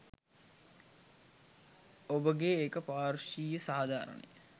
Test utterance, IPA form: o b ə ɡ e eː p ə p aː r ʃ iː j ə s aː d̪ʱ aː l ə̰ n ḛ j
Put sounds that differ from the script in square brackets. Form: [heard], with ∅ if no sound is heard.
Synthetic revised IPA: o b ə ɡ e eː [k] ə p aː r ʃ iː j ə s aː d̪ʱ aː [ɾ] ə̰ n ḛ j